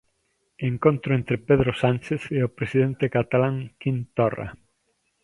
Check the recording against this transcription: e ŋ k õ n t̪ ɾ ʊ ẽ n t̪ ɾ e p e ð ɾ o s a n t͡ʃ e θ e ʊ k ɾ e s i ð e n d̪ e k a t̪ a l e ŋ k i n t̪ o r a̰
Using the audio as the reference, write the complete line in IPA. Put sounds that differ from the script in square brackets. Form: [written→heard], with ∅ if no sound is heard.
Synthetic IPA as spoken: e ŋ k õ n t̪ ɾ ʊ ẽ n t̪ ɾ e p e ð ɾ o s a n t͡ʃ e θ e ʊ [k→p] ɾ e s i ð e n [d̪→t̪] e k a t̪ a l [e→a] ŋ k i n t̪ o r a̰